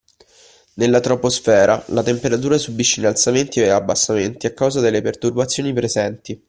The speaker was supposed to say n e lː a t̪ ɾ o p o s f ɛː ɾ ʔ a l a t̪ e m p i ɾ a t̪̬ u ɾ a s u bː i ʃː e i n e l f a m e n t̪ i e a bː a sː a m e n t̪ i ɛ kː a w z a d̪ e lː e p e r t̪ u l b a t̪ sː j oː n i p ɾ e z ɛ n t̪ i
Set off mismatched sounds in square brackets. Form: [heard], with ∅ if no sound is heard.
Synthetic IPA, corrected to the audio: n e lː a t̪ ɾ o p o s f ɛː ɾ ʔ a l a t̪ e m p [e] ɾ a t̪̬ [uː] ɾ a s u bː i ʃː e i n [a] l [s] a m e n t̪ i e a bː a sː a m e n t̪ i [a] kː a w z a d̪ e lː e p e r t̪ u [r] b a t̪ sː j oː n i p ɾ e z ɛ n t̪ i